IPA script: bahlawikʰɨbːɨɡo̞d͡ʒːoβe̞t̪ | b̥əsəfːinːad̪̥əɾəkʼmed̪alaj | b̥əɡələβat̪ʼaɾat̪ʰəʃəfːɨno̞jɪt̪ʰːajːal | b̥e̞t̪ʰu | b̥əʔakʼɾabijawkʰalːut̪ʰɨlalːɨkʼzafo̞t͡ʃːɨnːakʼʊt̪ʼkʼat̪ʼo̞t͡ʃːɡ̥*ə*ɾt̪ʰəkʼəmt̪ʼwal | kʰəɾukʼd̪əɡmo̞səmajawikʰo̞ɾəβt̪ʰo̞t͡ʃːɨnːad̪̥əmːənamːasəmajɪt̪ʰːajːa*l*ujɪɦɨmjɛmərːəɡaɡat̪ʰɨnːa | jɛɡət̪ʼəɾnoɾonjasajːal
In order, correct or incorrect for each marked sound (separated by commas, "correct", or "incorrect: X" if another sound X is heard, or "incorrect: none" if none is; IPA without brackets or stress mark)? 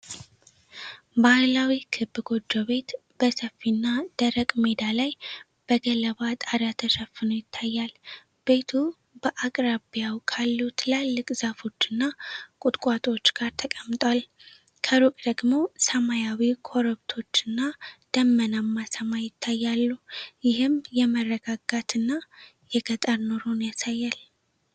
incorrect: a, incorrect: lː